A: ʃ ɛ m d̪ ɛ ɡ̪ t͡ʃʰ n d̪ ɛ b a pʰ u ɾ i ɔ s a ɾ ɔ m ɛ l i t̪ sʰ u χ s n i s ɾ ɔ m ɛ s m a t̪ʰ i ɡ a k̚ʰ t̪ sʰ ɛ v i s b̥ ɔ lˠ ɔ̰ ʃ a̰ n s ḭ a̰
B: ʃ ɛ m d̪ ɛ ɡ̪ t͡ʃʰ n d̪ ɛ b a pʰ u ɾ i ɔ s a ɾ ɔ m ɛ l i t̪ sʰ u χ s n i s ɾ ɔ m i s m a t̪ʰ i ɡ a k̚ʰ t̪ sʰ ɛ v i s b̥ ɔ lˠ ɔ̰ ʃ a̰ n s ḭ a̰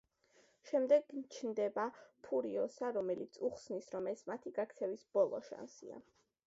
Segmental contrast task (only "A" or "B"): A